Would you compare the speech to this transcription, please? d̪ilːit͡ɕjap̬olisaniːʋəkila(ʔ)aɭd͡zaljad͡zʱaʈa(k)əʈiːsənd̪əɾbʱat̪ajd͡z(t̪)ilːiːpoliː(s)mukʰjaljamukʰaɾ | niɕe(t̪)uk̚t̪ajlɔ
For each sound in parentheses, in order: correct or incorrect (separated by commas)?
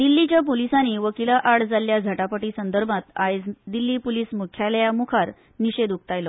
correct, incorrect, incorrect, correct, incorrect